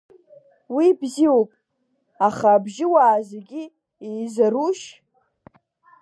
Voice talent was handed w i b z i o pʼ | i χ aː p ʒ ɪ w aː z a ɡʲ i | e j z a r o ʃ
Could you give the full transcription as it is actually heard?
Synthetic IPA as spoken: w i b z i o pʼ | a χ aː b ʒ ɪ w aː z e ɡʲ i | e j z a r u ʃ